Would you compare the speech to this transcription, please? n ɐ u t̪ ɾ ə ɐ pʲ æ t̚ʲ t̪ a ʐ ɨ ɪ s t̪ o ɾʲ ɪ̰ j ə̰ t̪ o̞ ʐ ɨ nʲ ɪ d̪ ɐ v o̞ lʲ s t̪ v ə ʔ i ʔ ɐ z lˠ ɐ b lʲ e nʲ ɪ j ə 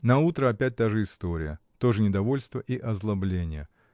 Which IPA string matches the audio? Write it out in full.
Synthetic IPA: n ɐ u t̪ ɾ ə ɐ pʲ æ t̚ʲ t̪ a ʐ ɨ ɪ s t̪ o ɾʲ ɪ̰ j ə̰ t̪ o̞ ʐ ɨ nʲ ɪ d̪ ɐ v o̞ lʲ s t̪ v ə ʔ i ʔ ɐ z lˠ ɐ b lʲ e nʲ ɪ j ə